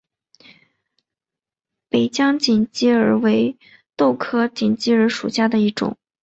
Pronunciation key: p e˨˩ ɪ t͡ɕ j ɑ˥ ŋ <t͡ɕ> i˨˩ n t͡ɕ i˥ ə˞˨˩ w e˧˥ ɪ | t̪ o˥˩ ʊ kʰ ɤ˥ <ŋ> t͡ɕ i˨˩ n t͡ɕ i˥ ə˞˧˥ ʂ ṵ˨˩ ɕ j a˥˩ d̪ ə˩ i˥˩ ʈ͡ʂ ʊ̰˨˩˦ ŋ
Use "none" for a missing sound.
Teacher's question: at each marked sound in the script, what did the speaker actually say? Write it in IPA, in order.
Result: t͡ɕ, none

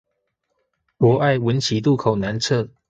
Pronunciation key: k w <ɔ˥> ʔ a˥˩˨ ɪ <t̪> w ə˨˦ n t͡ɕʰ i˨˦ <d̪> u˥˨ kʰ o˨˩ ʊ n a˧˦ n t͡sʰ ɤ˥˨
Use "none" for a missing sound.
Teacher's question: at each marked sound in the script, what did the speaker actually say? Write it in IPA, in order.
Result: ɔ˧˦, none, t̪

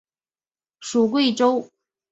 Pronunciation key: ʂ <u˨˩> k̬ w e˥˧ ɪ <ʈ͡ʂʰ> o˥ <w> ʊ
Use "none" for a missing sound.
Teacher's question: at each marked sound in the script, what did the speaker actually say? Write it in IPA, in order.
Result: u˨˩, ʈ͡ʂ, none

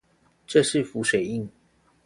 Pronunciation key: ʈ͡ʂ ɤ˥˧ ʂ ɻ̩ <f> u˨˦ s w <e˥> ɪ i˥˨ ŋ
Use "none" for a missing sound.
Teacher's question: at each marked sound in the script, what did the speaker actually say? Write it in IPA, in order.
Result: f, e˨˩

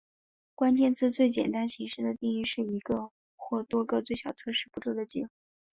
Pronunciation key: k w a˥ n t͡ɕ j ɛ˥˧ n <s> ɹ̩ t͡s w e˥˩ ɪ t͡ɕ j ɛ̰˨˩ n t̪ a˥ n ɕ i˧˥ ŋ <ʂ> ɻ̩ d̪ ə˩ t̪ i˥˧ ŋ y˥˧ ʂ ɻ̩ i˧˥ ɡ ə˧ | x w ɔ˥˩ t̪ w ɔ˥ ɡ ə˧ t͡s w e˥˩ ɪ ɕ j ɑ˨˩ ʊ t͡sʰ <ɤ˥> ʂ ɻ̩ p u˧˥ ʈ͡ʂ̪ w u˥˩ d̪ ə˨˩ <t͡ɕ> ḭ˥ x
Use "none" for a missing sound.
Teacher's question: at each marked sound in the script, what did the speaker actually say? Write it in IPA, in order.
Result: t͡s, ʂ, ɤ˥, t͡ɕ

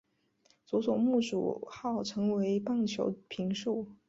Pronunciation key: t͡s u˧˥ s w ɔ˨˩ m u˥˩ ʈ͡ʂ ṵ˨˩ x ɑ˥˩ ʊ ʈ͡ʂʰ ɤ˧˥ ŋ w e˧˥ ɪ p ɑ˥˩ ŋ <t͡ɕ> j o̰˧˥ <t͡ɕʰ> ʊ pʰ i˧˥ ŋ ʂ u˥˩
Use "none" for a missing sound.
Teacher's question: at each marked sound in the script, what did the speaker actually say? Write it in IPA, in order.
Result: t͡ɕʰ, none

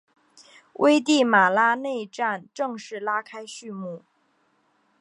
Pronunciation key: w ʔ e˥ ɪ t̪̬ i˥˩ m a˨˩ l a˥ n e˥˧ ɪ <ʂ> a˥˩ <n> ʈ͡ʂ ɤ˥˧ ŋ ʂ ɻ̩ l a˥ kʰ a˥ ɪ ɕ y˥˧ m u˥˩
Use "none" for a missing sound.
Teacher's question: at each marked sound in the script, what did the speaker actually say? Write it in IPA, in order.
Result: ʈ͡ʂ, n

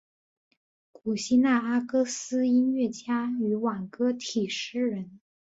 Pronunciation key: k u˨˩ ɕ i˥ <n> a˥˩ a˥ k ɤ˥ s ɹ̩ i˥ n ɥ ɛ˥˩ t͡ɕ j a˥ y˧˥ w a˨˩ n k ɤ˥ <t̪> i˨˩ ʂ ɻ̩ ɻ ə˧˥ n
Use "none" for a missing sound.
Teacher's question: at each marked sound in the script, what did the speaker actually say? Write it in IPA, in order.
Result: n, t̪ʰ

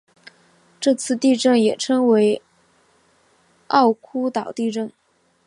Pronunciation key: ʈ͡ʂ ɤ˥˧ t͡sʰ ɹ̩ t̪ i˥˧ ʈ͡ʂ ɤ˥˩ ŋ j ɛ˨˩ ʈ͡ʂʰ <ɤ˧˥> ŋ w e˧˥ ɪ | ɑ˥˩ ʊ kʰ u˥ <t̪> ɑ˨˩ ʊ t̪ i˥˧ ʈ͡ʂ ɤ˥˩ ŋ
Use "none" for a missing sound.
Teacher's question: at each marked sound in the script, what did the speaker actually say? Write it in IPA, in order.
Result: ɤ˥, t̪

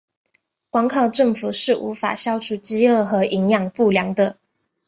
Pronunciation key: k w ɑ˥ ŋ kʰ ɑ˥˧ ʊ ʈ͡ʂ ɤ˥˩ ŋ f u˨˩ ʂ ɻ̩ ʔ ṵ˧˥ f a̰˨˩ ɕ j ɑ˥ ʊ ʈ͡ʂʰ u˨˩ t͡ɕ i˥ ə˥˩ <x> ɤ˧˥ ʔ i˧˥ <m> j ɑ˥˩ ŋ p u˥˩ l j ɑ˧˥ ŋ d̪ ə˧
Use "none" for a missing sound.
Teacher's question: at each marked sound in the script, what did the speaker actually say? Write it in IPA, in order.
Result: x, ŋ

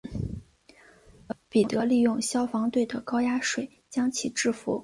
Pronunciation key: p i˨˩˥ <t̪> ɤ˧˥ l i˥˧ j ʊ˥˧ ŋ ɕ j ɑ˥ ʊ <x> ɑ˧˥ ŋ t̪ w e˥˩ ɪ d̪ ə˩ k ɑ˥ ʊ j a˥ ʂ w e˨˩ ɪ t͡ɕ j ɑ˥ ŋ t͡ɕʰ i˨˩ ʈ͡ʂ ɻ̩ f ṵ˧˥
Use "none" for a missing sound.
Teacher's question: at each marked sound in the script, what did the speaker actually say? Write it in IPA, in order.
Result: t̪, f

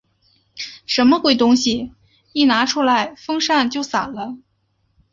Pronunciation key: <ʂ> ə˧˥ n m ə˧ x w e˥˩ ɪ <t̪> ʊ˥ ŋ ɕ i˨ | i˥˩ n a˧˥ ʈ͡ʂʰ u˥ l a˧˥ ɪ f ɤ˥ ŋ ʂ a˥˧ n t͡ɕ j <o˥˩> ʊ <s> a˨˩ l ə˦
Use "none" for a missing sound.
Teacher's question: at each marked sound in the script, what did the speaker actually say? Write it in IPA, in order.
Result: ʂ, t̪, o˥˩, s

